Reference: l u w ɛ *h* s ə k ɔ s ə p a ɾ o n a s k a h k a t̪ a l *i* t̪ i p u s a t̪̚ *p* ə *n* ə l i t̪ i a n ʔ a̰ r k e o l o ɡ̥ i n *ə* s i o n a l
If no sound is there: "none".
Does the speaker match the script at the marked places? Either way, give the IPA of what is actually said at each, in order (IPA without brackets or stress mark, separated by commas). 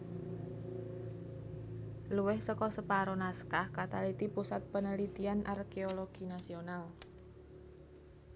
h, i, p, n, a